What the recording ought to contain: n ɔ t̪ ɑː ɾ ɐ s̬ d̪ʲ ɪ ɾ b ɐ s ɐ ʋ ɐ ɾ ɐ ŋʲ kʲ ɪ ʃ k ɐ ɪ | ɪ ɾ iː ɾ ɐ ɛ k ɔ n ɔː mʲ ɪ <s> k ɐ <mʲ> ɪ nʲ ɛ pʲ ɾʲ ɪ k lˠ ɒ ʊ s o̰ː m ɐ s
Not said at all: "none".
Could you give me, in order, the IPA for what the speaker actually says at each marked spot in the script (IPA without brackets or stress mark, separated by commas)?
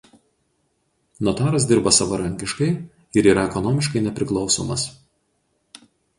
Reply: ʃ, none